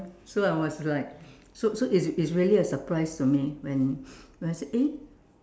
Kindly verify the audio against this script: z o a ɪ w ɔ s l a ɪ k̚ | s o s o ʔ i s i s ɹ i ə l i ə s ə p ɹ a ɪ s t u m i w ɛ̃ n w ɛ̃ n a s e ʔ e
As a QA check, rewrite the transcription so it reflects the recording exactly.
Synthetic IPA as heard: s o a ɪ w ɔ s l a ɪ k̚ | s o s o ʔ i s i s ɹ i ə l i ə s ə p ɹ a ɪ s t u m i w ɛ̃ n w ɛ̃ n a s e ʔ e